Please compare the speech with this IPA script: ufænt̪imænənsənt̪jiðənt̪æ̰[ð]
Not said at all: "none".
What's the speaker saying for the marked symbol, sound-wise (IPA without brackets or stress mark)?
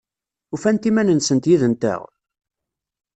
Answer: ʁ